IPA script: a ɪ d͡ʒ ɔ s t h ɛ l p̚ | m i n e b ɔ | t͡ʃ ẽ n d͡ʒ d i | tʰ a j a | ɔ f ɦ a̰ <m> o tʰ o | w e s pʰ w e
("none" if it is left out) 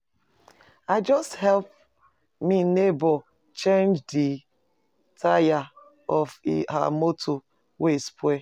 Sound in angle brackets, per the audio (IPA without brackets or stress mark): m